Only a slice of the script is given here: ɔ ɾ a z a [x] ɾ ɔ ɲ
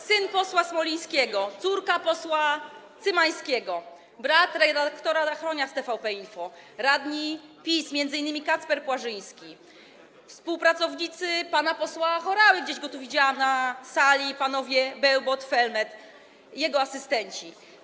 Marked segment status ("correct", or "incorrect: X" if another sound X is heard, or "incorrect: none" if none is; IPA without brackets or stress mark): correct